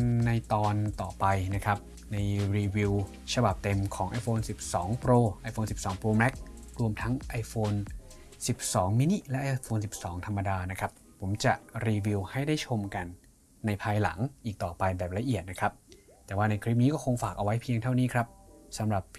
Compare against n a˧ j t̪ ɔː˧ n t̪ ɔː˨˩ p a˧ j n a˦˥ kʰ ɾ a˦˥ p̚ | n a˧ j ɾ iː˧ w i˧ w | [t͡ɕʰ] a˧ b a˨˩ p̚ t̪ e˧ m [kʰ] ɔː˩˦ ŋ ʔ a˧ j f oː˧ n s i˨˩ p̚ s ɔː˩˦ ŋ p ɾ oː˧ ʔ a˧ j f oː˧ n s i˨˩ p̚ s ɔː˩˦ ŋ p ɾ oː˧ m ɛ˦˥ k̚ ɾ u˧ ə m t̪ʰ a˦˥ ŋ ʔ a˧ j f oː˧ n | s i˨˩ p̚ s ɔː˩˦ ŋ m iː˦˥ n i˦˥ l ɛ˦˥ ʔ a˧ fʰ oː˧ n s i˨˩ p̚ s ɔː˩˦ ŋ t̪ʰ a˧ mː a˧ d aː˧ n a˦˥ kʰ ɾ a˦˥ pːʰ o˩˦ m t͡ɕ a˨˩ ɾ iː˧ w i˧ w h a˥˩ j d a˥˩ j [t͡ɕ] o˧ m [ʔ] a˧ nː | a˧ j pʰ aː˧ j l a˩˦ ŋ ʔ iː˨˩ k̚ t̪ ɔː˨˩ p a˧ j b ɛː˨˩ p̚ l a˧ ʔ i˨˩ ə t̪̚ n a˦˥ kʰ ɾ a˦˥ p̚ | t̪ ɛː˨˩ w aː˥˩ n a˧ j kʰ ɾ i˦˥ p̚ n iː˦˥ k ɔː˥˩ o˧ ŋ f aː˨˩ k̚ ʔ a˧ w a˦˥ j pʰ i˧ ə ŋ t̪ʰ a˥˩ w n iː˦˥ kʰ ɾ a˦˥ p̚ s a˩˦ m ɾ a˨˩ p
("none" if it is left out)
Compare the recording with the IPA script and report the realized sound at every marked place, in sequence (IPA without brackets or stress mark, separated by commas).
t͡ɕʰ, kʰ, t͡ɕʰ, k